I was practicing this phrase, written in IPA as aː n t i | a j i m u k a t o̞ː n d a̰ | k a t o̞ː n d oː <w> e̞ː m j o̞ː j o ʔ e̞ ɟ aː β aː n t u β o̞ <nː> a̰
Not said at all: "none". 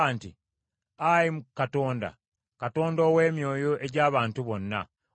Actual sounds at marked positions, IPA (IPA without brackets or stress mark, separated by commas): w, nː